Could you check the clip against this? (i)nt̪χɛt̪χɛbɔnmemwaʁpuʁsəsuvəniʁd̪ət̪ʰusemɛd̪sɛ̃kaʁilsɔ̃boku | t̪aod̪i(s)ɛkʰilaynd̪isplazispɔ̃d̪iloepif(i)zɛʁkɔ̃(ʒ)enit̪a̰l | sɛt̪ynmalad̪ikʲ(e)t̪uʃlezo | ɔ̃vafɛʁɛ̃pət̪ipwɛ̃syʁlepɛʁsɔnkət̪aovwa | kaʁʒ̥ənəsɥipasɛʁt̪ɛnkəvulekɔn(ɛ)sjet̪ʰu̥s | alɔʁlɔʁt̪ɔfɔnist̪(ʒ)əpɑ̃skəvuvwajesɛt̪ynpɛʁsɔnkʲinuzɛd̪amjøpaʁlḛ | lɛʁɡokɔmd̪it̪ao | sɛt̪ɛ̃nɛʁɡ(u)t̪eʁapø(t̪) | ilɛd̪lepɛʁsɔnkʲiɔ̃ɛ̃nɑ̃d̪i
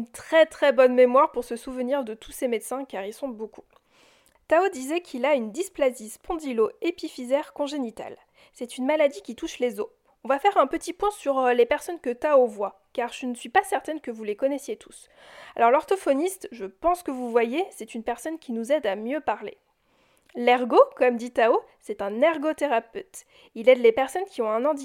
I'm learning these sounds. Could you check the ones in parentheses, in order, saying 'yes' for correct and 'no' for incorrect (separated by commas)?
no, no, yes, yes, no, yes, yes, no, yes